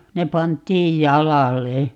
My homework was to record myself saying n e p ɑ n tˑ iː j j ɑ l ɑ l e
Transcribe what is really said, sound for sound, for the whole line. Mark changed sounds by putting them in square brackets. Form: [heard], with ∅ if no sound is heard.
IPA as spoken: n e p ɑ n tˑ iː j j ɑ l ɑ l e